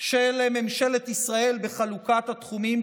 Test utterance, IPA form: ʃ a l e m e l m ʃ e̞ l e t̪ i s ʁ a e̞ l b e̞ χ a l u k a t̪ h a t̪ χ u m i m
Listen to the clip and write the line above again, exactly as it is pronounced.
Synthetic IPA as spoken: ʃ e l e m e m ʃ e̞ l e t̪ i s ʁ a e̞ l b e̞ χ a l u k a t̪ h a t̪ χ u m i m